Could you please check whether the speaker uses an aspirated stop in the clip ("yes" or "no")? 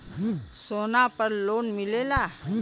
no